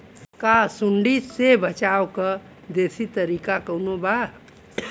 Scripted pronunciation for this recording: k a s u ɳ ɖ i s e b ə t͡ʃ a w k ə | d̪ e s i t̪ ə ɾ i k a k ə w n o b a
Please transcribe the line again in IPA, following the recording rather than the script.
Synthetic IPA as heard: k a s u ɳ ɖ i s e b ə t͡ʃ a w k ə | d̪ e s i t̪ ə ɾ i k a k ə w n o b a